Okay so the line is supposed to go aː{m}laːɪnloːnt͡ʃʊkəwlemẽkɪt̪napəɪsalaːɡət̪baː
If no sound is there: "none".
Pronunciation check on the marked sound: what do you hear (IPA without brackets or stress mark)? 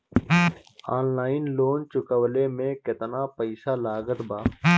n